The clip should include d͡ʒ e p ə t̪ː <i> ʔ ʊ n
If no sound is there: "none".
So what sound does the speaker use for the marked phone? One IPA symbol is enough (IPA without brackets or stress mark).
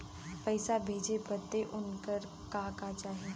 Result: e